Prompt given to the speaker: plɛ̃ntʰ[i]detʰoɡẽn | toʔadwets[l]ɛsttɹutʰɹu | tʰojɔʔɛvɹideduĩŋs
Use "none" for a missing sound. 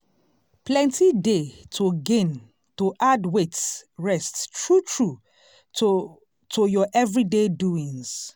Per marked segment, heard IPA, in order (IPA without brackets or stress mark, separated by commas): i, ɹ